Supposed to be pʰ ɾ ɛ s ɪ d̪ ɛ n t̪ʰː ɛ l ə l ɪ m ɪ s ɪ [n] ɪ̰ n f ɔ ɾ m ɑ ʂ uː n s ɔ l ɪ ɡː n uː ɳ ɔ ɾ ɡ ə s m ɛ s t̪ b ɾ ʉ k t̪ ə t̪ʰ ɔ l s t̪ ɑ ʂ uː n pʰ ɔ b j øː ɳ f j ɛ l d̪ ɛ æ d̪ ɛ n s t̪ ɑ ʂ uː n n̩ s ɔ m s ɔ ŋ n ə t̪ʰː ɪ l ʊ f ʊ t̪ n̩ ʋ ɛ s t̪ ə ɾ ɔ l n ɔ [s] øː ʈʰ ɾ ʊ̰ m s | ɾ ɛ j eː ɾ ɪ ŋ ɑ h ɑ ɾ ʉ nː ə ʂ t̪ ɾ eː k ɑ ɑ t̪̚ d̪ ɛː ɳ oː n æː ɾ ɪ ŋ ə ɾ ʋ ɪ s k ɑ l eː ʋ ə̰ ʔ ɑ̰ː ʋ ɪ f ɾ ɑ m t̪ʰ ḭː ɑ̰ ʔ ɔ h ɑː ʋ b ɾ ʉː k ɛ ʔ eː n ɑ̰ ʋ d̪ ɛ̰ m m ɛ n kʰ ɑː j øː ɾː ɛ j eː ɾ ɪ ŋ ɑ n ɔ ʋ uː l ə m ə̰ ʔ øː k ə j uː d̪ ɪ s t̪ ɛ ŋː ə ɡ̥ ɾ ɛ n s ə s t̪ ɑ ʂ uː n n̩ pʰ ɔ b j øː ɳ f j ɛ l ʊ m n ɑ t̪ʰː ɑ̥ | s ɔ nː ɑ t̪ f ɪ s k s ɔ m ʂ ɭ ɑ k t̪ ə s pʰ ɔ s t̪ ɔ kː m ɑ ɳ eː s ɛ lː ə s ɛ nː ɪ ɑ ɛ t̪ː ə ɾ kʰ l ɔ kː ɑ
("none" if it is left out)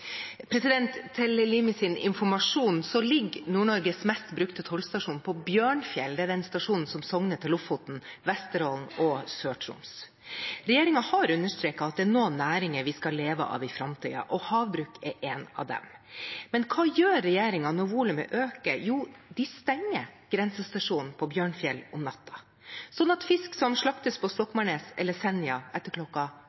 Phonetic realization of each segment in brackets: n, s

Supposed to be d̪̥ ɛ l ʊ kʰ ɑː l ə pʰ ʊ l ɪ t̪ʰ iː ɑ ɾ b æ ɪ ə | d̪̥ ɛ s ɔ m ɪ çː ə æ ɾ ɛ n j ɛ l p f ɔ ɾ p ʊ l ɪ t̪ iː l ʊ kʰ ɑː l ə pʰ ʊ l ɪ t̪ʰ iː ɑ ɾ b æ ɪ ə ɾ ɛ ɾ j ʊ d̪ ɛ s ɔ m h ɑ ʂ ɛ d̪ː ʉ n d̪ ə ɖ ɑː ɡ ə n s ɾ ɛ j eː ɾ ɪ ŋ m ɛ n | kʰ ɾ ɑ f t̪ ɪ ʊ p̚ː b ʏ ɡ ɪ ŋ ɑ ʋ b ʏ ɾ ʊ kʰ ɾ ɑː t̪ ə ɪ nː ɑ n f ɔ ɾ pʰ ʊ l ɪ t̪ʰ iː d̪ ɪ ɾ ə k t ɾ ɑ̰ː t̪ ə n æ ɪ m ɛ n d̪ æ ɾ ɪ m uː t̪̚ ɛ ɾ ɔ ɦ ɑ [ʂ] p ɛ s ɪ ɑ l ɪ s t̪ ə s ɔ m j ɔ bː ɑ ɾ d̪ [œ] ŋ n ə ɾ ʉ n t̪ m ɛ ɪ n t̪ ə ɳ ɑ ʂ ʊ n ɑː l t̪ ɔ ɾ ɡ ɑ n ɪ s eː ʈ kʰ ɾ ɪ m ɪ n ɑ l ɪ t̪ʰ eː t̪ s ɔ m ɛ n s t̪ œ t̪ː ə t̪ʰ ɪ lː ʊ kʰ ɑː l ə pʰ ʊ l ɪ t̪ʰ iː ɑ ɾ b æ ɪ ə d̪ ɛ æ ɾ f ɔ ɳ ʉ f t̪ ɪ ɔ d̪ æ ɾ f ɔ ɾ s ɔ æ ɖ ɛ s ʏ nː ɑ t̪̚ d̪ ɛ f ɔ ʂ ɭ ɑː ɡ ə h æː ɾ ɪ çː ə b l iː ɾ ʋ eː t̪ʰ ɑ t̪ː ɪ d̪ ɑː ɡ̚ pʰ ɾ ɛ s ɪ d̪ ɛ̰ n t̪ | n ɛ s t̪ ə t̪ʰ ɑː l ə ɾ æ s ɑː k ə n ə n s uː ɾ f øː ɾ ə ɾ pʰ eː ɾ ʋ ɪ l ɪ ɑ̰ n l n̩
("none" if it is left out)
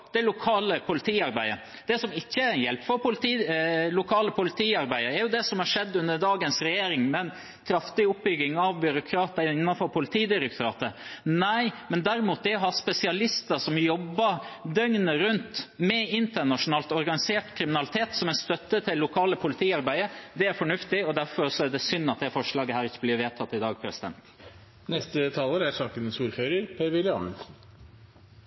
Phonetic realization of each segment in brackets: s, œ

